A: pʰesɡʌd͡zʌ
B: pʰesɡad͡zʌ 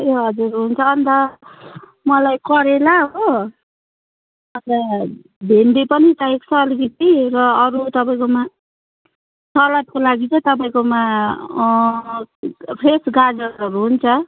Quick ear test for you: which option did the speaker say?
B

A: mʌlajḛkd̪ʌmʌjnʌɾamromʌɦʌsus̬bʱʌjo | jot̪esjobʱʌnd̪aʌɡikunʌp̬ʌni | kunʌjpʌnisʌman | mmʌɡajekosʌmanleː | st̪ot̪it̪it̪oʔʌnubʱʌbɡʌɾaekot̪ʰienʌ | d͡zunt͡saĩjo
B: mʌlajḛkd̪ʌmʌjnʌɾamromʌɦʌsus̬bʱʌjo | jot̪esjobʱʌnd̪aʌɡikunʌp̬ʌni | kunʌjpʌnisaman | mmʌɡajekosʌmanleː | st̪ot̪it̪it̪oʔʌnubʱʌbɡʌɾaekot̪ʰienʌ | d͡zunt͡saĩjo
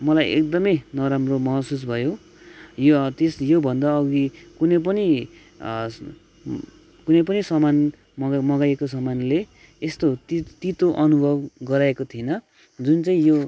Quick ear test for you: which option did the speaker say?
A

